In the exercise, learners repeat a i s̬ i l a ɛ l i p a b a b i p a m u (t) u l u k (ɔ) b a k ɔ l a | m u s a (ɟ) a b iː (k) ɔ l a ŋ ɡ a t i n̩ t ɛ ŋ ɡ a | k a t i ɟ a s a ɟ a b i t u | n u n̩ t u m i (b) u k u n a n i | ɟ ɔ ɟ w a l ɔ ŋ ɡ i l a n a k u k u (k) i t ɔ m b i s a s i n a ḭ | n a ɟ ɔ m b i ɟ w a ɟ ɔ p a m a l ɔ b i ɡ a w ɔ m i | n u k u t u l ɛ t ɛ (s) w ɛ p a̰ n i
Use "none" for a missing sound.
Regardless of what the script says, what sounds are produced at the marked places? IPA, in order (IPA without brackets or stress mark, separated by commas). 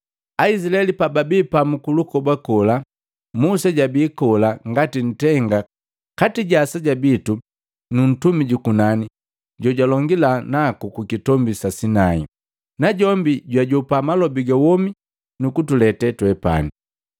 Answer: k, ɔ, ɟ, k, ɟ, k, t